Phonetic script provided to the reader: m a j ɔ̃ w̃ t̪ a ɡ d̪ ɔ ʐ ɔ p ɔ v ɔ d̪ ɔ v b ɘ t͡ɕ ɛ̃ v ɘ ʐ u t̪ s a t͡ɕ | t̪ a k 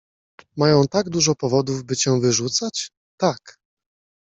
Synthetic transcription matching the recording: m a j ɔ̃ w̃ t̪ a ɡ d̪ u ʐ ɔ p ɔ v ɔ d̪ u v b ɘ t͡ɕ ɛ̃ v ɘ ʐ u t̪ s a t͡ɕ | t̪ a k